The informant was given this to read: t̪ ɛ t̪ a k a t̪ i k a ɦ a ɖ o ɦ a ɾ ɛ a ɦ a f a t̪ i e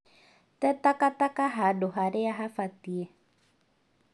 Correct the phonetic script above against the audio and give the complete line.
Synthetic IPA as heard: t̪ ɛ t̪ a k a t̪ a k a ɦ a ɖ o ɦ a ɾ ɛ a ɦ a f a t̪ i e